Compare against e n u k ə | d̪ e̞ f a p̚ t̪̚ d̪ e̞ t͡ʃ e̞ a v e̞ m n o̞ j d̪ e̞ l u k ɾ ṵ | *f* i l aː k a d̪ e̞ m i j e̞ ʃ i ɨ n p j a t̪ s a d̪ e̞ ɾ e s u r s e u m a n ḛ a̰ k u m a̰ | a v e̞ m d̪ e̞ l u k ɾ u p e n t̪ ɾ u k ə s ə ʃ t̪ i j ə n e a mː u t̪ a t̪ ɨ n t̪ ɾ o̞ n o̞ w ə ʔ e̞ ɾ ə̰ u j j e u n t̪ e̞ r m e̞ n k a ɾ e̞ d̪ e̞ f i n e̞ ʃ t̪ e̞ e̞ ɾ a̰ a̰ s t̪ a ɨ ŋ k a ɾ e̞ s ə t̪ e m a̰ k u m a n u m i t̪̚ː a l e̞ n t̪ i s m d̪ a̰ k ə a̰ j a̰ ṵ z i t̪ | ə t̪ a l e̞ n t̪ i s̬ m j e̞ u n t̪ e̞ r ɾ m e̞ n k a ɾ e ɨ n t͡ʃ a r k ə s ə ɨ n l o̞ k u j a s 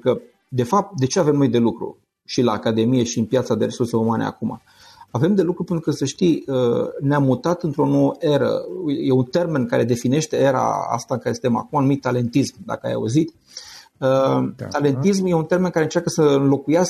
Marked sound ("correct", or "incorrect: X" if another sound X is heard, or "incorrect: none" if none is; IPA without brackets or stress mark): incorrect: ʃ